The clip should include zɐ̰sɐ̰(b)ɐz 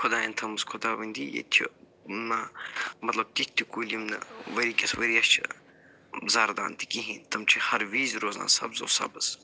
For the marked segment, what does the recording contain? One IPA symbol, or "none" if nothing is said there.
b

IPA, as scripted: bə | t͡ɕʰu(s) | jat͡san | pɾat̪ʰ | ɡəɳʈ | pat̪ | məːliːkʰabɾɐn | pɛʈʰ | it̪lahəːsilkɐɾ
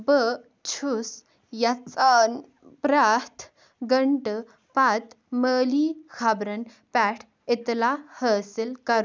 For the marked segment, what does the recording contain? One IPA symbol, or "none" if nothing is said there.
s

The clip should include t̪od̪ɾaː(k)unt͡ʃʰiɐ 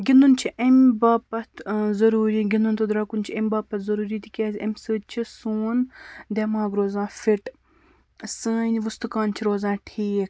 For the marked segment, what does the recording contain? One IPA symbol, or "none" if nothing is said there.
k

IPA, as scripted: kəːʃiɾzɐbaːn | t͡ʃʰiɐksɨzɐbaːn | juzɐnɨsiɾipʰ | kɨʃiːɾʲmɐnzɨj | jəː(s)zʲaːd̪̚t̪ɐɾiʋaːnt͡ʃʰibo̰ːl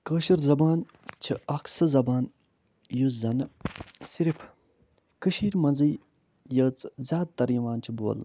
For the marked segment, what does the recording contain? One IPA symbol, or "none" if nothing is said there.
t͡s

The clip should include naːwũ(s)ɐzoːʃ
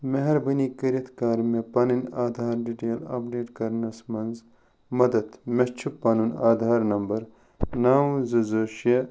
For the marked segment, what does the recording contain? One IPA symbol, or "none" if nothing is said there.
z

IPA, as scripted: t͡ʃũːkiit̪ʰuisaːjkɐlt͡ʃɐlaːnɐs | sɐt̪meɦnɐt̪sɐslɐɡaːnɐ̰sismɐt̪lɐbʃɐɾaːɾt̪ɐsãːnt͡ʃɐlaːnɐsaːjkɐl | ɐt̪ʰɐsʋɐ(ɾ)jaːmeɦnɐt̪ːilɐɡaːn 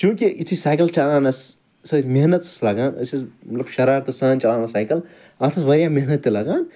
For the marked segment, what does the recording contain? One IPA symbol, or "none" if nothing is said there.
ɾ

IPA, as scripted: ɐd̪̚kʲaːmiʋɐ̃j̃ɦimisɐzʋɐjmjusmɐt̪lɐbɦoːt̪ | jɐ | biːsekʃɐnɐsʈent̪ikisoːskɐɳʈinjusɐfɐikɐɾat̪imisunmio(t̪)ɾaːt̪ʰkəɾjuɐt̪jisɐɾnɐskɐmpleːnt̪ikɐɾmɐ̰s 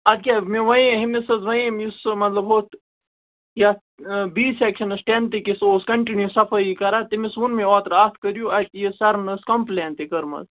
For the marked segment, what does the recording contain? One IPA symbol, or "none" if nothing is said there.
t̪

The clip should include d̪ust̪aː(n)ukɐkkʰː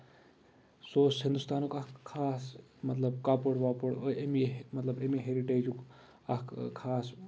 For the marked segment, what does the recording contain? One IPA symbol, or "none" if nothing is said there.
n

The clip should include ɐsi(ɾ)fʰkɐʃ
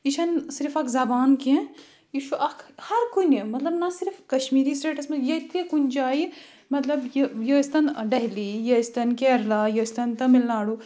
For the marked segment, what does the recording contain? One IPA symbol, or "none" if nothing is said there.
ɾ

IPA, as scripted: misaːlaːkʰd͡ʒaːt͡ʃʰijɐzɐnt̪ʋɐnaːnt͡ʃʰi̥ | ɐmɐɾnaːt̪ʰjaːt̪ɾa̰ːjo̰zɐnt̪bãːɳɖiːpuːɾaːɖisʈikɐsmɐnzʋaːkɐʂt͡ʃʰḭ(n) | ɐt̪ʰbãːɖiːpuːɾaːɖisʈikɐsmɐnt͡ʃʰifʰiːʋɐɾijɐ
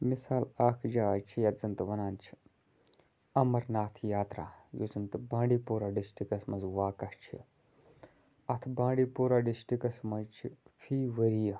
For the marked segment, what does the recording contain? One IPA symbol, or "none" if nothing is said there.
none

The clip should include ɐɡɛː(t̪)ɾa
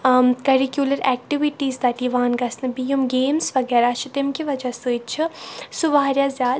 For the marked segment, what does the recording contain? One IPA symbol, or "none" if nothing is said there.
none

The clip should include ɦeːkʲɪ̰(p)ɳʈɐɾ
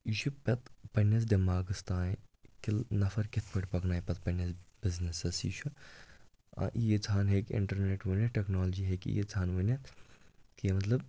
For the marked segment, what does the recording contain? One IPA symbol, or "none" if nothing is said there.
none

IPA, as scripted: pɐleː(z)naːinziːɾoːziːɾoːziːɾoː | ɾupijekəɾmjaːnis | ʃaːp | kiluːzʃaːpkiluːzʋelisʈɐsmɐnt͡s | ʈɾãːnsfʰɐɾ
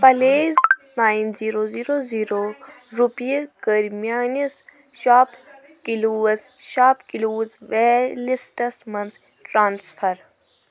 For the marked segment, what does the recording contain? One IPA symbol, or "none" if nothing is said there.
z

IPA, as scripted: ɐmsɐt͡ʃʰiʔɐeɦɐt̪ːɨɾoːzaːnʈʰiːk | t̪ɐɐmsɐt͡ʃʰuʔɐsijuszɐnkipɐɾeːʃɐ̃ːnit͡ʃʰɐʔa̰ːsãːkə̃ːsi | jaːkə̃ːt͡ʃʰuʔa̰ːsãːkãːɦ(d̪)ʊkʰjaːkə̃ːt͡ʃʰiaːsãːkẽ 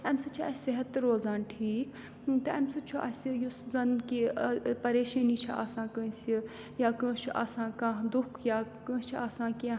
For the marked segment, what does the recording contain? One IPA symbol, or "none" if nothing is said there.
d̪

